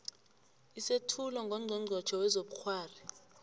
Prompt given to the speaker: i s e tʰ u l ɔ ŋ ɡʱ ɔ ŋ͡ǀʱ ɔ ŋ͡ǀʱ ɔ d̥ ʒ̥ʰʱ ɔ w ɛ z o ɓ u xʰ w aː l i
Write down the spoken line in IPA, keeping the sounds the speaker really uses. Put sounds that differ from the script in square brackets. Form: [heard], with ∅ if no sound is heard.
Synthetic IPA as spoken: i s e tʰ u l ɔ ŋ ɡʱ ɔ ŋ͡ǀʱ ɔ ŋ͡ǀʱ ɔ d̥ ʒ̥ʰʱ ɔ w ɛ z o ɓ u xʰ w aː [r] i

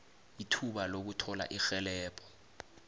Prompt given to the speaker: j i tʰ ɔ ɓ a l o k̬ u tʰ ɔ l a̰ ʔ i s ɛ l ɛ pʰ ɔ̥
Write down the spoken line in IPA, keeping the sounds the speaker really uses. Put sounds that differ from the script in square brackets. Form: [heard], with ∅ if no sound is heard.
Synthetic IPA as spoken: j i tʰ [u] ɓ a l o k̬ u tʰ ɔ l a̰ ʔ i [x] ɛ l [ɛː] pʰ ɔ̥

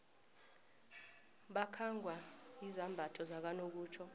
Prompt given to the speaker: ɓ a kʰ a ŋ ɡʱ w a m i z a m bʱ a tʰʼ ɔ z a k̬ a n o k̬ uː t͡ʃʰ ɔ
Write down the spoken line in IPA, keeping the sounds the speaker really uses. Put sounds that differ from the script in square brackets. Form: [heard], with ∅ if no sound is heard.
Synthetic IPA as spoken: ɓ a kʰ a ŋ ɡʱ w a [∅] i z a m bʱ a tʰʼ ɔ z a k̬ a n o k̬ uː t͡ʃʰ ɔ

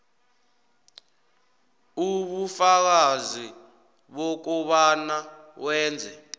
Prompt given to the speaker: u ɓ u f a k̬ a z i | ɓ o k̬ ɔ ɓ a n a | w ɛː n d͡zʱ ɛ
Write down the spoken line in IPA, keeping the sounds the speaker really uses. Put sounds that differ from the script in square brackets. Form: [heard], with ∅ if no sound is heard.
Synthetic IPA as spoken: u ɓ u f a k̬ a z i | ɓ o k̬ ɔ ɓ a n a | w ɛː n d͡zʱ ɛ

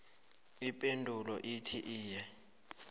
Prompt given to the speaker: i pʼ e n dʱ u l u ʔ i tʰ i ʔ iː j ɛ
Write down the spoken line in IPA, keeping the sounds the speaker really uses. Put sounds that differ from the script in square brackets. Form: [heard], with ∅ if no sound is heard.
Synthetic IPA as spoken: i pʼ e n dʱ u l [ɔ] ʔ i tʰ i ʔ iː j ɛ

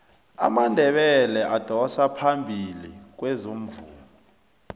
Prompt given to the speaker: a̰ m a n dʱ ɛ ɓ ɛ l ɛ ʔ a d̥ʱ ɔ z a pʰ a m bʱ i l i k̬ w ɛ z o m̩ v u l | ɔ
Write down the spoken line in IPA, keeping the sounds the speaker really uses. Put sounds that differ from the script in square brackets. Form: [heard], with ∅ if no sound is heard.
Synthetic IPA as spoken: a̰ m a n dʱ ɛ ɓ ɛ l ɛ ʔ a d̥ʱ ɔ [s] a pʰ a m bʱ i l i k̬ w ɛ z o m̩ v [uː] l | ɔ

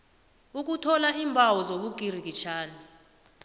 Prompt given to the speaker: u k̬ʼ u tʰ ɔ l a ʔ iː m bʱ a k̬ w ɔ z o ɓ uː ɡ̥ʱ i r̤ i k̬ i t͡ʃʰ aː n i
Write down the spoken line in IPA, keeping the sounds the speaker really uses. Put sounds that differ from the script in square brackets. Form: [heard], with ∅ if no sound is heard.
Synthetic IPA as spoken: u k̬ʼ u tʰ ɔ l a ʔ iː m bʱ a [∅] w ɔ z o ɓ [u] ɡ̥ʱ i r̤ i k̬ i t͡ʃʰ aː n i

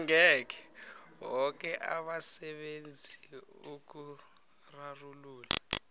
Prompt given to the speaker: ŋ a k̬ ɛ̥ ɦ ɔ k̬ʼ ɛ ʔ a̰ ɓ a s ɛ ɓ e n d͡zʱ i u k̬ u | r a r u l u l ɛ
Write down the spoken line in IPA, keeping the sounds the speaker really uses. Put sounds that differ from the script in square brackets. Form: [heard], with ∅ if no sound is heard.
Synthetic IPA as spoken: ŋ [ɛ] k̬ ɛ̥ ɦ ɔ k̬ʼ ɛ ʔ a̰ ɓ a s ɛ ɓ e n d͡zʱ i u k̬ u | r a r u l [uː] l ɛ

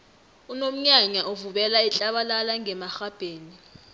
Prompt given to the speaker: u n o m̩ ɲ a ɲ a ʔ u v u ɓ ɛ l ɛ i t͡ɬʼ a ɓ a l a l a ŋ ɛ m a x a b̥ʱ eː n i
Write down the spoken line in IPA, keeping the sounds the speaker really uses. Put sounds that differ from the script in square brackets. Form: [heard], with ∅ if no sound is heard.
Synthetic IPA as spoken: u n o m̩ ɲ a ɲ a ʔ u v u ɓ ɛ l [a] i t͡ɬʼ a ɓ a l a l a ŋ ɛ m a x a b̥ʱ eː n i

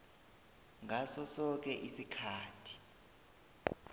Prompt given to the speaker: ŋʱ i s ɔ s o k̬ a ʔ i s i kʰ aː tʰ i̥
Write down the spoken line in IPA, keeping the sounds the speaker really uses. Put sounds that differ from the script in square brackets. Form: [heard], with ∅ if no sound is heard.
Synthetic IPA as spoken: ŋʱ [a] s ɔ s [ɔ] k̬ [ɛ] ʔ i s i kʰ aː tʰ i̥

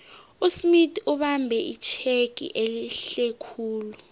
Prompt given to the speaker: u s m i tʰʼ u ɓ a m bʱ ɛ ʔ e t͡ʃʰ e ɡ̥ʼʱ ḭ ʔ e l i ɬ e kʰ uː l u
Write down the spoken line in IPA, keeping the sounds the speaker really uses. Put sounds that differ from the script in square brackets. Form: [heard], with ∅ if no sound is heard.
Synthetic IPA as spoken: u s m i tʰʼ u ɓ a m bʱ ɛ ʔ [i] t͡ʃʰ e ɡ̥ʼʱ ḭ ʔ e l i ɬ e kʰ uː l u

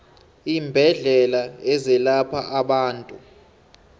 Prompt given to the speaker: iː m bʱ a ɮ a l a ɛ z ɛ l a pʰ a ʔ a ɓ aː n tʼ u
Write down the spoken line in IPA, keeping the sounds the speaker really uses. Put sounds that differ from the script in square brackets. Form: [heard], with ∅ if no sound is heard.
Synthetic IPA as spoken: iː m bʱ [ɛ] ɮ [ɛ] l a ɛ z ɛ l a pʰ a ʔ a ɓ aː n tʼ u

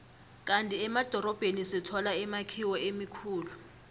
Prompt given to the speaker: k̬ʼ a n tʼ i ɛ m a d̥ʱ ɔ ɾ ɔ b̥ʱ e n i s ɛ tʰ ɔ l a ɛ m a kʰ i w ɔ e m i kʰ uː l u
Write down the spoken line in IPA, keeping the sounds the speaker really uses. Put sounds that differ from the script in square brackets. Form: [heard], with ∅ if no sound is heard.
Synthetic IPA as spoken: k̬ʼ a n tʼ i ɛ m a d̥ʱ ɔ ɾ ɔ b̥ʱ e n i s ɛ tʰ ɔ l a ɛ m a kʰ i w ɔ e m i kʰ uː l u

